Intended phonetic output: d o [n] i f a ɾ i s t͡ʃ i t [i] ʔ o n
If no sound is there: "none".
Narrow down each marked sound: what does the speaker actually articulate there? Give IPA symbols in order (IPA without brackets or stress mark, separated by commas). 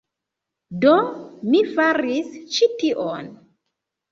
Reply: m, i